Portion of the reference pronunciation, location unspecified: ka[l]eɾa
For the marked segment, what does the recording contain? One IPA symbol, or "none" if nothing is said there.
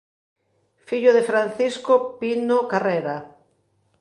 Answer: r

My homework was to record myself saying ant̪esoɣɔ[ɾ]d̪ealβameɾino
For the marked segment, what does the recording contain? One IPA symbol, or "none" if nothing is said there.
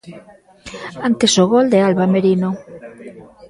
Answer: l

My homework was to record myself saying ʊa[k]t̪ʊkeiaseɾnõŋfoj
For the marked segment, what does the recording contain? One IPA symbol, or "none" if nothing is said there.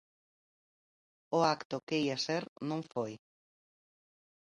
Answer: k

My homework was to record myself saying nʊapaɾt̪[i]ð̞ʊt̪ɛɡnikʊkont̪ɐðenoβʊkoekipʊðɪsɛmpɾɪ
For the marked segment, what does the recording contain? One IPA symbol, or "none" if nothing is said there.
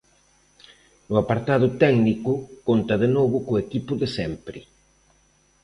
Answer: a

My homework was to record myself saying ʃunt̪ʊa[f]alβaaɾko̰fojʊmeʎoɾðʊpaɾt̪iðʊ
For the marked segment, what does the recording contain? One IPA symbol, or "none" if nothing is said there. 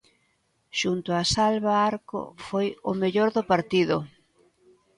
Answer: s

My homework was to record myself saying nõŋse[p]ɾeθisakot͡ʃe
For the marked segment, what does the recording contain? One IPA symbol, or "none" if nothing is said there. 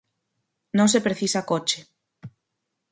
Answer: p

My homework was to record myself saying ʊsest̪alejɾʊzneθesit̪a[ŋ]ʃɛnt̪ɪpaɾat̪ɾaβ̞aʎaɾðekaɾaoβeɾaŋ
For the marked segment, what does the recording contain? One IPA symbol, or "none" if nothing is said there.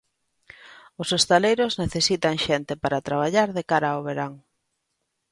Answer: ŋ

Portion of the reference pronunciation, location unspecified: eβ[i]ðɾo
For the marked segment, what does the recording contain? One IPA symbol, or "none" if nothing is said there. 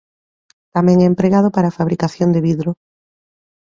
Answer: i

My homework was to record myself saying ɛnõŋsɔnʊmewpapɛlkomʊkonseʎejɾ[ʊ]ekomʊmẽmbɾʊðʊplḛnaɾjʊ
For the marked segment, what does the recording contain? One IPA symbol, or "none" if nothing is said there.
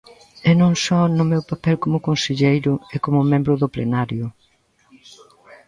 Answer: ʊ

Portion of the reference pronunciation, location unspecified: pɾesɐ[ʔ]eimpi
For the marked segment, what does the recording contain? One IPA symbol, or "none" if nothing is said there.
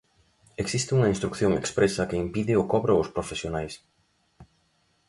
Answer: k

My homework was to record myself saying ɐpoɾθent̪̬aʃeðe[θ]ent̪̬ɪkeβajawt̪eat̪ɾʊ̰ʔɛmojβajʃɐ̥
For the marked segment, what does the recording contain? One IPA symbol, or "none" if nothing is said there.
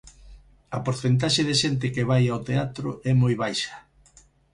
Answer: ʃ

